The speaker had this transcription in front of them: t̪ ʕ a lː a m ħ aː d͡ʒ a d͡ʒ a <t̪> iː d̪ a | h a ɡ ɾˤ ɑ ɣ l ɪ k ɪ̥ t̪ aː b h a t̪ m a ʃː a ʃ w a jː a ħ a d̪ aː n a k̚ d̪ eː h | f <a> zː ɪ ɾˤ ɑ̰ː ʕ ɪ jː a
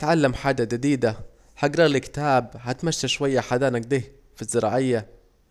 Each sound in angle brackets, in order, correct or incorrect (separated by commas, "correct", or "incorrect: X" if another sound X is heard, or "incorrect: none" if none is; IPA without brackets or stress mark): incorrect: d̪, incorrect: i